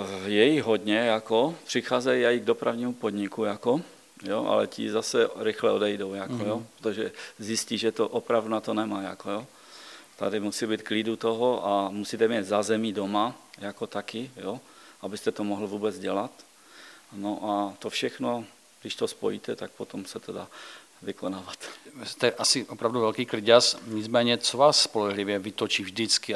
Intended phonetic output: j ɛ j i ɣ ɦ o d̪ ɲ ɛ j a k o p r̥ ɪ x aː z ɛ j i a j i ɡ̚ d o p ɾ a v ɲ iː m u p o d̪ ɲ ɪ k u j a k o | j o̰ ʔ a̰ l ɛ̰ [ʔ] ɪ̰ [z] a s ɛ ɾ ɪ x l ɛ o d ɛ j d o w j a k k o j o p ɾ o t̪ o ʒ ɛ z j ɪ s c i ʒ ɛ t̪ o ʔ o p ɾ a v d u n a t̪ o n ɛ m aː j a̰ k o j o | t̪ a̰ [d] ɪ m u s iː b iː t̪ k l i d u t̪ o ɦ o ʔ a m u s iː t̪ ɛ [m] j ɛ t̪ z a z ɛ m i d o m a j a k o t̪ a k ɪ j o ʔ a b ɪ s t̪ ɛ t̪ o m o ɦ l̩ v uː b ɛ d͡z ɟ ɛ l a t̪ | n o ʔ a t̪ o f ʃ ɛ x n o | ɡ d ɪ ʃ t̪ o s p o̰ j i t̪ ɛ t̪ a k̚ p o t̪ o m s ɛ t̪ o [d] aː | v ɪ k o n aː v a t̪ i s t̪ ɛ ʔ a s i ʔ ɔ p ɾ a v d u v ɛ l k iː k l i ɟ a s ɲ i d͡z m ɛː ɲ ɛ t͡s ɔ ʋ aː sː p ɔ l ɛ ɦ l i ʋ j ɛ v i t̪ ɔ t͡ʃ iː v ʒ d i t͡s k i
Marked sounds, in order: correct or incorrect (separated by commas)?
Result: incorrect, correct, correct, correct, correct